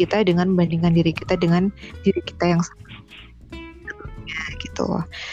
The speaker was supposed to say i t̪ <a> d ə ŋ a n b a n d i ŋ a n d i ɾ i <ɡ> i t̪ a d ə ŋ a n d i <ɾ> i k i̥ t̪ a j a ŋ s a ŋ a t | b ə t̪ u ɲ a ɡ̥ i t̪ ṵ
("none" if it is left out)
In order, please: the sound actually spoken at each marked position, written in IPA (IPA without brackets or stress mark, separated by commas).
a, k, ɾ